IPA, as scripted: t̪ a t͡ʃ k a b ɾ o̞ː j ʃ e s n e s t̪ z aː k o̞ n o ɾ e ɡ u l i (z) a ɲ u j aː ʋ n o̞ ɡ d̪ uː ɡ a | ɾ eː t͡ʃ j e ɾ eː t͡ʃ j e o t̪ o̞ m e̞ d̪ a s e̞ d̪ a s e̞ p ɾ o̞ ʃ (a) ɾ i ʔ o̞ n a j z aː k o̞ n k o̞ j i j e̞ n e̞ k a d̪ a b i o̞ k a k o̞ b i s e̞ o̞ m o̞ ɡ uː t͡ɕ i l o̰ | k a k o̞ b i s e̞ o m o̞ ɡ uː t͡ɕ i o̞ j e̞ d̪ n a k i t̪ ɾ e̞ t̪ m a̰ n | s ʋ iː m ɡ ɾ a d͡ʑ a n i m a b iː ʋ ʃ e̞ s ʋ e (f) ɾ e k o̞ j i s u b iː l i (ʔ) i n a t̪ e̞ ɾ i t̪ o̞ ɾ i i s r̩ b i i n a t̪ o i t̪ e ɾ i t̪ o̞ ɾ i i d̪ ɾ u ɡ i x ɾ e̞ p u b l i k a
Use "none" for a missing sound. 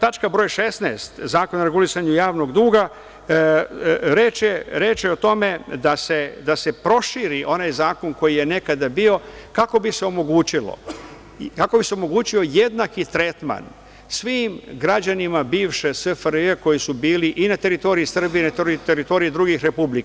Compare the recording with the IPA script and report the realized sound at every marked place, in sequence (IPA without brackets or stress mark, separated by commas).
s, i, f, ʔ